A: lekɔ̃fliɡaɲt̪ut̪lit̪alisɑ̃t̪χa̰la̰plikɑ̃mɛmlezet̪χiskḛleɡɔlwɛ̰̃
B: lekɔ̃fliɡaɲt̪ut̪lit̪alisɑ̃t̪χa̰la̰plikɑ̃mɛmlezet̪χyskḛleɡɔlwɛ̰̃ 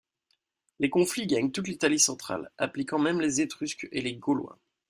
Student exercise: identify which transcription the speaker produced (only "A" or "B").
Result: B